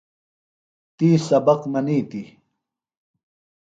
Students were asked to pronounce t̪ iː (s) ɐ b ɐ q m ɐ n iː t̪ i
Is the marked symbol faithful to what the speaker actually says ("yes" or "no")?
yes